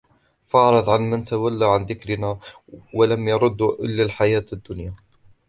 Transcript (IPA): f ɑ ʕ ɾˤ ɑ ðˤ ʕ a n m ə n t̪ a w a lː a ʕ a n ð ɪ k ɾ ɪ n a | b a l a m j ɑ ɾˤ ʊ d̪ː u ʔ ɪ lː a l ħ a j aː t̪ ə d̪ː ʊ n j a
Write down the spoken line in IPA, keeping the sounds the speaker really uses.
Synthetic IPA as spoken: f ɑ ʕ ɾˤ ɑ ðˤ ʕ a n m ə n t̪ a w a lː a ʕ a n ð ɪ k ɾ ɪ n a | w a l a m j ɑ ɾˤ ʊ d̪ː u ʔ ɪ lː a l ħ a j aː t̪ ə d̪ː ʊ n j a

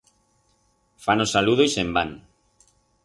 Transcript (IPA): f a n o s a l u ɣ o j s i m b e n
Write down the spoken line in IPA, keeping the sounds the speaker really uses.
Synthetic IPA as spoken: f a n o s a l u ð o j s e m b a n

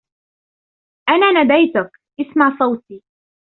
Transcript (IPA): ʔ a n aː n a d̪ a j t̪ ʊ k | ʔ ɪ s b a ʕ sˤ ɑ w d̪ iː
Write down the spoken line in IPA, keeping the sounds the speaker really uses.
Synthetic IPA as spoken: ʔ a n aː n a d̪ a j t̪ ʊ k | ʔ ɪ s m a ʕ sˤ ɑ w t̪ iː

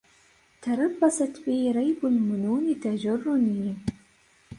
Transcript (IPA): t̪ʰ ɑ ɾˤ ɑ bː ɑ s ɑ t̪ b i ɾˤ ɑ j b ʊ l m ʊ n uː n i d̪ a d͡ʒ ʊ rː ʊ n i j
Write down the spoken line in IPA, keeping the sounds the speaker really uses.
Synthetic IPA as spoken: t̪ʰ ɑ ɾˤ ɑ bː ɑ s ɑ t̪ b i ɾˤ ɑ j b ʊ l m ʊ n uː n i t̪ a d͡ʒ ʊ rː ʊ n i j

